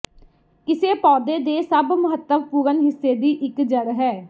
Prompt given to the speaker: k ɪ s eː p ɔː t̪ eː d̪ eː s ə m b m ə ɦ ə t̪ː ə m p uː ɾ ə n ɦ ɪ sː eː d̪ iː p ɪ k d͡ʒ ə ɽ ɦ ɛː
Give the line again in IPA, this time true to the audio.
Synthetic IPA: k ɪ s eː p ɔː d̪ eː d̪ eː s ə b m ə ɦ ə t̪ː ə m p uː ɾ ə n ɦ ɪ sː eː d̪ iː ʔ ɪ k d͡ʒ ə ɽ ɦ ɛː